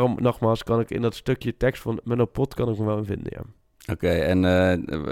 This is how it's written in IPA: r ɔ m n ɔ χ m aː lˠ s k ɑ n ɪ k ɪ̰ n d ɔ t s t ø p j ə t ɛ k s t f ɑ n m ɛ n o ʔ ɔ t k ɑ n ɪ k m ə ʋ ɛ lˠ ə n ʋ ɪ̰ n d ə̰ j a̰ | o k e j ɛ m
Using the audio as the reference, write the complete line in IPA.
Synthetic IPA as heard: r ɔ m n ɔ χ m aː lˠ s k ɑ n ɪ k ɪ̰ n d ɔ t s t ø k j ə t ɛ k s t f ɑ n m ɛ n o p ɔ t k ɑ n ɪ k m ə ʋ ɛ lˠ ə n v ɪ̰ n d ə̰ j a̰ | o k e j ɛ n